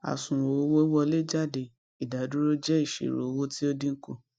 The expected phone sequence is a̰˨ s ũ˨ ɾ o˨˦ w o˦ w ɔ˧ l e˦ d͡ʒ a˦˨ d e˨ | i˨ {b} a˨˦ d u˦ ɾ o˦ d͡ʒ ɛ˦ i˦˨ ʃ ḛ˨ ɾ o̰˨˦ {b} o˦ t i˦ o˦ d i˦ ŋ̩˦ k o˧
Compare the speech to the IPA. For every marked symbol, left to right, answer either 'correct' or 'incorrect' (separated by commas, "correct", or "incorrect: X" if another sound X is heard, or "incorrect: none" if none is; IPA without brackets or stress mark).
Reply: incorrect: d, incorrect: w